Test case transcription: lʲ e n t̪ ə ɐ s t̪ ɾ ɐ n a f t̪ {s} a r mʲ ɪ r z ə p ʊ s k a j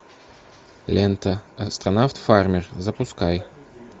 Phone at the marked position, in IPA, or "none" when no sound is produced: f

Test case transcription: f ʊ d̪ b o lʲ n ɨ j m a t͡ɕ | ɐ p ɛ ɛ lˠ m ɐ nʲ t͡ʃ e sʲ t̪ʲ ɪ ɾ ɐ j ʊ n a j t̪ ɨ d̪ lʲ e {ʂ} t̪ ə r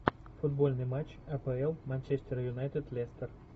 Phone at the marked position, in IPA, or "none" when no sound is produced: s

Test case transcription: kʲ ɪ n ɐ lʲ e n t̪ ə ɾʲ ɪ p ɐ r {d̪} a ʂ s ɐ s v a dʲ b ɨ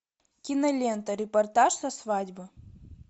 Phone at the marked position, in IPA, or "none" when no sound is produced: t̪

